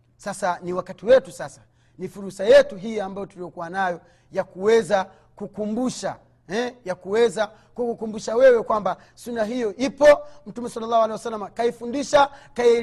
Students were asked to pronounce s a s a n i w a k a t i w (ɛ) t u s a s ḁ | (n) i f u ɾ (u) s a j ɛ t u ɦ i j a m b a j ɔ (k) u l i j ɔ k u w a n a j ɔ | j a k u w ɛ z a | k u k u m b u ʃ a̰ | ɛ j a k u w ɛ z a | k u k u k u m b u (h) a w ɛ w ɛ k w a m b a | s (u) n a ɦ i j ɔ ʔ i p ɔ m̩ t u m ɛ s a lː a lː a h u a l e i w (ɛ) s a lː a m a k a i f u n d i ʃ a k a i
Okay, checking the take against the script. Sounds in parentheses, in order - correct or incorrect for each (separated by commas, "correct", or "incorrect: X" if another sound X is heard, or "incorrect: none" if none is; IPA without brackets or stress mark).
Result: correct, correct, correct, incorrect: t, incorrect: ʃ, correct, incorrect: a